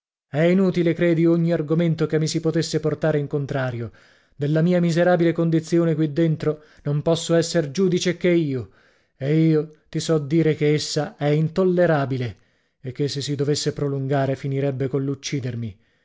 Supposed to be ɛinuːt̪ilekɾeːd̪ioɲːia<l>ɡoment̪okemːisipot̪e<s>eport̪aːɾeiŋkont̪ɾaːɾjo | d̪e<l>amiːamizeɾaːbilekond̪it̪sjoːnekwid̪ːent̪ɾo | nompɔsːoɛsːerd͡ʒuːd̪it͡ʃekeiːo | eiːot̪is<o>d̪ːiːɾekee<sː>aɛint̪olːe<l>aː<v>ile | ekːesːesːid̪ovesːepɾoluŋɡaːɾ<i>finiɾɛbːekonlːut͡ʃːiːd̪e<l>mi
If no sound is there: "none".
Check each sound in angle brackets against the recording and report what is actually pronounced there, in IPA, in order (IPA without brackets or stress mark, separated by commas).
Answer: r, sː, lː, ɔ, sː, ɾ, b, e, r